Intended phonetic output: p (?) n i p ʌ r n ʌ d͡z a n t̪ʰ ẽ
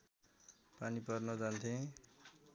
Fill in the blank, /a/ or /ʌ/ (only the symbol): a